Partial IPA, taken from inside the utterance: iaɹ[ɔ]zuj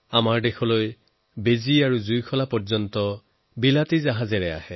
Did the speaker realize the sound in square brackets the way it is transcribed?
no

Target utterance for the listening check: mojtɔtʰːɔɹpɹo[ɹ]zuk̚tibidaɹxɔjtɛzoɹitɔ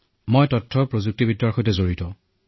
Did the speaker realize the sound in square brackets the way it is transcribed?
no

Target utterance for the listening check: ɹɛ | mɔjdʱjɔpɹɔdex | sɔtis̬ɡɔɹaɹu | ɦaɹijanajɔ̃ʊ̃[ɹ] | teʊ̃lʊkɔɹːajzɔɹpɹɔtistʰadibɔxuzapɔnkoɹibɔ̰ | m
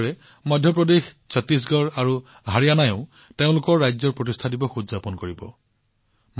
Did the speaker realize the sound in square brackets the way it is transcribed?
no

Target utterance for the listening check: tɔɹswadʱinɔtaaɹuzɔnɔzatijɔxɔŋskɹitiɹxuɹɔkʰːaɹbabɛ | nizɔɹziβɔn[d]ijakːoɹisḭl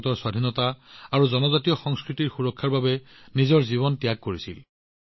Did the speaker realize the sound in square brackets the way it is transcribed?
no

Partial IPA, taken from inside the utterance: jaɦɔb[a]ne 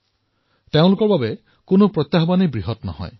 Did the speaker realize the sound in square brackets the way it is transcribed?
yes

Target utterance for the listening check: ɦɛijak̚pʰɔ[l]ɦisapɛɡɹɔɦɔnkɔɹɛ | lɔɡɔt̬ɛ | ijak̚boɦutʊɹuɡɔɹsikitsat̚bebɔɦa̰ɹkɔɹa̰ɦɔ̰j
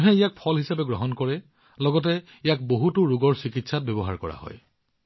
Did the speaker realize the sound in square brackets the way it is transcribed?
yes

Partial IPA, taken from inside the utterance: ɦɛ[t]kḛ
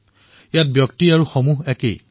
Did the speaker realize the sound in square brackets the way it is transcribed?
no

